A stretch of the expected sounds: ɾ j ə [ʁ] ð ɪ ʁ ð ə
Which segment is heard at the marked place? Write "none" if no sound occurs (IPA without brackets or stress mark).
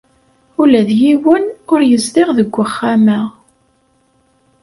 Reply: z